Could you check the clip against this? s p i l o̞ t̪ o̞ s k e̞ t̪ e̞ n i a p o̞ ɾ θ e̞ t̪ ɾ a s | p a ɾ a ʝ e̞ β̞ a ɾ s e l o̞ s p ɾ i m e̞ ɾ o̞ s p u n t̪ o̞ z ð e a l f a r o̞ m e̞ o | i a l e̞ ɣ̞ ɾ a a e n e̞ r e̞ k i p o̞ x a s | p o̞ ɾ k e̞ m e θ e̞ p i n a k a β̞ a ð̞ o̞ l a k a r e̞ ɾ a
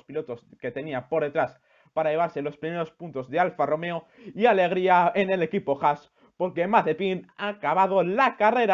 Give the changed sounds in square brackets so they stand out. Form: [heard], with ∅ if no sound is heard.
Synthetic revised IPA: s p i l o̞ t̪ o̞ s k e̞ t̪ e̞ n i a p o̞ ɾ [ð] e̞ t̪ ɾ a s | p a ɾ a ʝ e̞ β̞ a ɾ s e l o̞ s p ɾ i m e̞ ɾ o̞ s p u n t̪ o̞ z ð e a l f a r o̞ m e̞ o | i a l e̞ ɣ̞ ɾ [i] a e n e̞ [l] e̞ k i p o̞ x a s | p o̞ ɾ k e̞ m [a] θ e̞ p i n a k a β̞ a ð̞ o̞ l a k a r e̞ ɾ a